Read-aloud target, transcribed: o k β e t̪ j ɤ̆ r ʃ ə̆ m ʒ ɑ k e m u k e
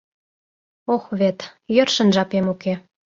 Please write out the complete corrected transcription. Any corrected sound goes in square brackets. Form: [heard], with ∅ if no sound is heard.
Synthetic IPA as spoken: o [x] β e t̪ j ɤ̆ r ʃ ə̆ [n] ʒ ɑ [p] e m u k e

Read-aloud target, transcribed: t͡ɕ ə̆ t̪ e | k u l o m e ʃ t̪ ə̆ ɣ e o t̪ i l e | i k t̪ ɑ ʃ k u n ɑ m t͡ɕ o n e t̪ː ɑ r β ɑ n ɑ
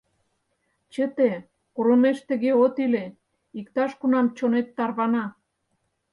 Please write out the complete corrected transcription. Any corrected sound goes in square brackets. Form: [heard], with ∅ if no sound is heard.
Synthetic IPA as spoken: t͡ɕ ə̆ t̪ e | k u [ɾ] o m e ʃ t̪ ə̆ ɣ e o t̪ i l e | i k t̪ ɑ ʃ k u n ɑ m t͡ɕ o n e t̪ː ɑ r β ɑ n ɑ

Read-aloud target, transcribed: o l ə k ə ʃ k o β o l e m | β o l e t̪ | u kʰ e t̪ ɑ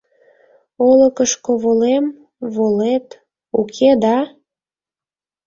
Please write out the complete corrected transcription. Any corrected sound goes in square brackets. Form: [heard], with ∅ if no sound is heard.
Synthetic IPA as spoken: o l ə k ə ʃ k o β o l e m | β o l e t̪ | u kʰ e [d̪] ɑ

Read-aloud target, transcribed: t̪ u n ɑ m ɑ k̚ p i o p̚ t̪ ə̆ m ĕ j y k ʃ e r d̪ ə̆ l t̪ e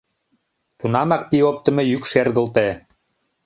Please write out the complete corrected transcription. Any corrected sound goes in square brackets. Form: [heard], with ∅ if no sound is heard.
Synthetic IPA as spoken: t̪ u n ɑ m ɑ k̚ p i o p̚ t̪ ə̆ m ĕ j y k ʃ e r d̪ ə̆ l t̪ e

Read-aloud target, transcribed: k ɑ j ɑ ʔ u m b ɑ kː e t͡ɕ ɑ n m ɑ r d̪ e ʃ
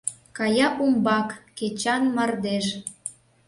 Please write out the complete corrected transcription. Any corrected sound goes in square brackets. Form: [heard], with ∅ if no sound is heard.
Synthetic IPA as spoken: k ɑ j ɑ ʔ u m b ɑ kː e t͡ɕ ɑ n m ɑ r d̪ e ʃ

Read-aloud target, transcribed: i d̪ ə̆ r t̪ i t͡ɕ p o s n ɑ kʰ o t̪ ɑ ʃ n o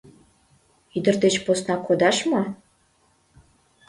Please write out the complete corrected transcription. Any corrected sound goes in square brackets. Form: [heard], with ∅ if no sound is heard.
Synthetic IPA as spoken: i d̪ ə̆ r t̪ [e] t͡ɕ p o s n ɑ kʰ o [d̪] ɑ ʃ [m] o

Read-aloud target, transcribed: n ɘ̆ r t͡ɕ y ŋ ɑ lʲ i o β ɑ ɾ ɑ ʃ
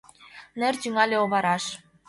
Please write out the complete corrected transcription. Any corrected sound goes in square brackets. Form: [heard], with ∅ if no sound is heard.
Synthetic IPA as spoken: n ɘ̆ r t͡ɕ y ŋ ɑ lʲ [e] o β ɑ ɾ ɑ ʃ

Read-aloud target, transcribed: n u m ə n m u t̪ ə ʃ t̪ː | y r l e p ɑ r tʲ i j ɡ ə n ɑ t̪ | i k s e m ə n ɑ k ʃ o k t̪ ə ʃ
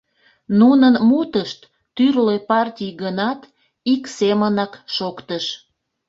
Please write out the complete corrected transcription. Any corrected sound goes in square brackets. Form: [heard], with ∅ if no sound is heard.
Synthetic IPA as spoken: n u [n] ə n m u t̪ ə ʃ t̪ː | y r l e p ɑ r tʲ i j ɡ ə n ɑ t̪ | i k s e m ə n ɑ k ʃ o k t̪ ə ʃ

